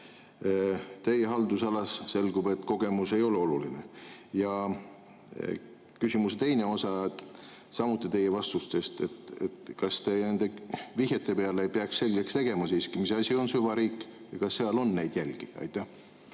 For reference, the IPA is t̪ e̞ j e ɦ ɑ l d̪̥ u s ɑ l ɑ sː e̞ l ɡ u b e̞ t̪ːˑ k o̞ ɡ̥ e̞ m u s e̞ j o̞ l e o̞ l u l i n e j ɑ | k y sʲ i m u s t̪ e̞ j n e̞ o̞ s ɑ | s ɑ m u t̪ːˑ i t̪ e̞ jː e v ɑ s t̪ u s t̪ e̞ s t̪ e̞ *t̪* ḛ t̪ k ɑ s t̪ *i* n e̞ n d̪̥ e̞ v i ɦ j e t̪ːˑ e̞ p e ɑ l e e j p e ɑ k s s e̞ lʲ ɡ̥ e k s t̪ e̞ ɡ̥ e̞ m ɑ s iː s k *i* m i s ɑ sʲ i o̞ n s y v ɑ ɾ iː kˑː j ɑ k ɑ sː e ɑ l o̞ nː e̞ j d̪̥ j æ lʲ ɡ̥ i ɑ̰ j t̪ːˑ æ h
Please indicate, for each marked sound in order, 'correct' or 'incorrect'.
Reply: correct, incorrect: e, correct

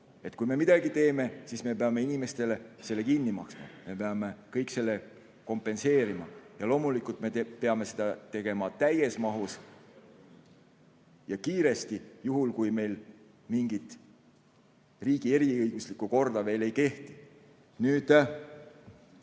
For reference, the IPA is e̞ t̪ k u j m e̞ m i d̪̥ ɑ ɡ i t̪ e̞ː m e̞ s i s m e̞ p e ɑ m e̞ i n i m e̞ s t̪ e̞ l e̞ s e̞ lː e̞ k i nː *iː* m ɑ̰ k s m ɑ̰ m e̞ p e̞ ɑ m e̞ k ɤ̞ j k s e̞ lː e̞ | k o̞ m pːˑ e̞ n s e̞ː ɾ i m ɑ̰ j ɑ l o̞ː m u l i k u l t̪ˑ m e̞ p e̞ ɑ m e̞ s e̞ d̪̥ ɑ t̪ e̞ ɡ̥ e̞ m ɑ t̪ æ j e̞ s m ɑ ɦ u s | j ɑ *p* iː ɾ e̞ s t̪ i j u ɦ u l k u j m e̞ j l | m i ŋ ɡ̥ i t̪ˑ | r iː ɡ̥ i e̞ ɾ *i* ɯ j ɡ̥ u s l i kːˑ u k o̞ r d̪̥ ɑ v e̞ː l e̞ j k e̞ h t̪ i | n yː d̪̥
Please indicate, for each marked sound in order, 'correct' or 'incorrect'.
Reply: incorrect: i, incorrect: k, correct

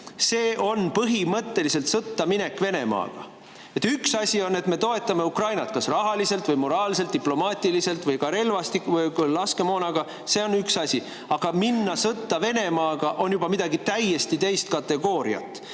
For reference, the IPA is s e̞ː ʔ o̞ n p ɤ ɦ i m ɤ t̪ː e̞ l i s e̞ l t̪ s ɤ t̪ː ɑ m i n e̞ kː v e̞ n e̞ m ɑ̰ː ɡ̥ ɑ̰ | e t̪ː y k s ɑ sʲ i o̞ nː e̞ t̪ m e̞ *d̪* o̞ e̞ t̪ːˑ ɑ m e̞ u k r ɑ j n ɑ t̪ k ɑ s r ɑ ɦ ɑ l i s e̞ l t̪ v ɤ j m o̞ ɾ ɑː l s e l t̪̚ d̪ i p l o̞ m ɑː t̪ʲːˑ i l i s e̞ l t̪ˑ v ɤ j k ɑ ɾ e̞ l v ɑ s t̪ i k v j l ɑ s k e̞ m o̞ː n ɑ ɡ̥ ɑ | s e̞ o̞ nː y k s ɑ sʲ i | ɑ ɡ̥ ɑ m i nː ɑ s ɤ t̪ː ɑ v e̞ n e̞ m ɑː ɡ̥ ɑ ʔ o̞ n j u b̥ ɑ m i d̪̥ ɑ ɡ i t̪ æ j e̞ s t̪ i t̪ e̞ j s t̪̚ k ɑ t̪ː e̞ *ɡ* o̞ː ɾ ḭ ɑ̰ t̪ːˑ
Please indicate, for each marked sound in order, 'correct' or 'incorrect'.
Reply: incorrect: t̪, correct

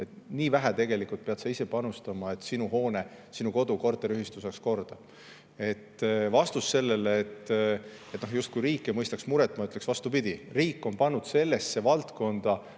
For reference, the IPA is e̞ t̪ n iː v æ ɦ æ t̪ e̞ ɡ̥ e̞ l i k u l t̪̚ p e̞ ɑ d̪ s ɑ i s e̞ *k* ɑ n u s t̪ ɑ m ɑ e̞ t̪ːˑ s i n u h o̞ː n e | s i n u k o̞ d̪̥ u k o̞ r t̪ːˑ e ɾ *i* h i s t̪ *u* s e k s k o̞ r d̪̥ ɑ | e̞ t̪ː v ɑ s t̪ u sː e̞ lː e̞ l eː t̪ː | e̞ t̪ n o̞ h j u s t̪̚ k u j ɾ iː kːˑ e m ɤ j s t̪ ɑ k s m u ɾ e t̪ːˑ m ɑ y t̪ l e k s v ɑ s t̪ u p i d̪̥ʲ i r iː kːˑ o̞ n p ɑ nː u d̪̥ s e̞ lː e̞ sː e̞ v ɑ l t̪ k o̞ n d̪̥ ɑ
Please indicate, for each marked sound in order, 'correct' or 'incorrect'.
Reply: incorrect: p, incorrect: y, correct

